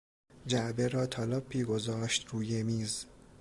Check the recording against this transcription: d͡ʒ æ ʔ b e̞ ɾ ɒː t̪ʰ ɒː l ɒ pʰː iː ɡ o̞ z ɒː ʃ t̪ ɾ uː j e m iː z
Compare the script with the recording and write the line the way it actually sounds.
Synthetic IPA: d͡ʒ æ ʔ b e̞ ɾ ɒː t̪ʰ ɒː l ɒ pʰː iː ɡ o̞ z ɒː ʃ t̪ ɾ uː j e m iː z